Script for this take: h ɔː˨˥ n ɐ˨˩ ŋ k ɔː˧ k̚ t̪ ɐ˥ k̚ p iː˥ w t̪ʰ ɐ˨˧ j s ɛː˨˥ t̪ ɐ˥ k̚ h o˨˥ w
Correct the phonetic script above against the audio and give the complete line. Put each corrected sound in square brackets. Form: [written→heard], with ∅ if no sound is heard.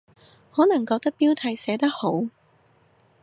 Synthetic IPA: h ɔː˨˥ n ɐ˨˩ ŋ k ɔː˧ k̚ t̪ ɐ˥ k̚ p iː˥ w t̪ʰ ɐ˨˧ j s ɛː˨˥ t̪ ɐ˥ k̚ h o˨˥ w